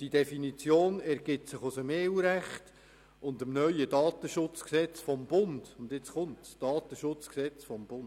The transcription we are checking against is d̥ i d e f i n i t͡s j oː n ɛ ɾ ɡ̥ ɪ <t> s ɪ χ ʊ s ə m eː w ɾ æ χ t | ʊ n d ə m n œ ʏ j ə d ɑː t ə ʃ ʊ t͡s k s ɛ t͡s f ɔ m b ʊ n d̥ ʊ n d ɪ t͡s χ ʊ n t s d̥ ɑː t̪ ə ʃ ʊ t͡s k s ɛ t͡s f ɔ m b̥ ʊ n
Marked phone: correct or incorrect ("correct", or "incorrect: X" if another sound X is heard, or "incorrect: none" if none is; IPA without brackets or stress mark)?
correct